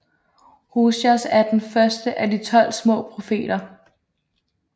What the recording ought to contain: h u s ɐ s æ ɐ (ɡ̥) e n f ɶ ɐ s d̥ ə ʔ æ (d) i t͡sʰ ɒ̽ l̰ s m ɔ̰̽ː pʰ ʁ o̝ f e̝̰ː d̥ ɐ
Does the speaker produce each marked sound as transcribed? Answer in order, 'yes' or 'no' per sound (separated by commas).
no, yes